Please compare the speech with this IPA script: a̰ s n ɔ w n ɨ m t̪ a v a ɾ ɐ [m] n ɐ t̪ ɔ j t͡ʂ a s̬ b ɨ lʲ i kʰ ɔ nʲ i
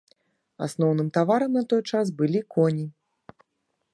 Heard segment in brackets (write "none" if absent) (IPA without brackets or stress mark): m